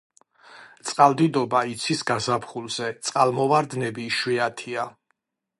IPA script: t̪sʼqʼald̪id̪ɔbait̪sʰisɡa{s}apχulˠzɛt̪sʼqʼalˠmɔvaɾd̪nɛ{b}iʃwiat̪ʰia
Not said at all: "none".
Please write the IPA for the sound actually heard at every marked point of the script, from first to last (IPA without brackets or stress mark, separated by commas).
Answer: z, b